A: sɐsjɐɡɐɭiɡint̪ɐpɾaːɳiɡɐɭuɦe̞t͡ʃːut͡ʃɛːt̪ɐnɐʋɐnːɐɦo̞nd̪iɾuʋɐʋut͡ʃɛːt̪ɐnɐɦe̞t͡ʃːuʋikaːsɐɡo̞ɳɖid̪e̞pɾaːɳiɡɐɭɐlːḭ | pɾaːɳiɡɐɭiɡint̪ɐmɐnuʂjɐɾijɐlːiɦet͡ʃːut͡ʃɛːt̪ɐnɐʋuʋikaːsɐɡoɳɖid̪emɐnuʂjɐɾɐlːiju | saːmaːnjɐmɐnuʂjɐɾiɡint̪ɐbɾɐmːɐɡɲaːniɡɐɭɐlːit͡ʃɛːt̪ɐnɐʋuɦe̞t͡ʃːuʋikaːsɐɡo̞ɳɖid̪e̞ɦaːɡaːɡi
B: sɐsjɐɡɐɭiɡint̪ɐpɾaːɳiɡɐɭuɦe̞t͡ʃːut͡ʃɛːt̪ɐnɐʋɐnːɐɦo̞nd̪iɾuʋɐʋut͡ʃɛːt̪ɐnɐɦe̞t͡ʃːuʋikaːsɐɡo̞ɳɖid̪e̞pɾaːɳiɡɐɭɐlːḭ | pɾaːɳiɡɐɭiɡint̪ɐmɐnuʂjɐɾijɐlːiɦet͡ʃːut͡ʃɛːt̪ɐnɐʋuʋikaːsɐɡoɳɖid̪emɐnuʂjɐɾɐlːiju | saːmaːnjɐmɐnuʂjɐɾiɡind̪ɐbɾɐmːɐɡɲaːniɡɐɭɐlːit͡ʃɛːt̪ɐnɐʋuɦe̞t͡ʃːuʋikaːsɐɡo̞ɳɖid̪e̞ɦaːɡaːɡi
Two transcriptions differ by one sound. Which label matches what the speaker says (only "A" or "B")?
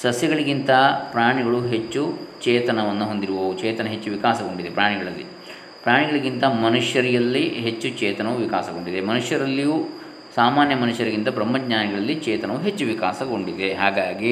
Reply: A